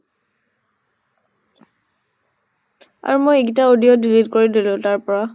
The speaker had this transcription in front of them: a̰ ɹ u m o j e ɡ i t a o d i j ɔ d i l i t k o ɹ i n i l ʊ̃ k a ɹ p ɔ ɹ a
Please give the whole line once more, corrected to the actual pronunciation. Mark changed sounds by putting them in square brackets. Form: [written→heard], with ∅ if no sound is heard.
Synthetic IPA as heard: a̰ ɹ u m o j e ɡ i t a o d i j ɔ d i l i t k o ɹ i [n→d] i l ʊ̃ [k→t] a ɹ p ɔ ɹ a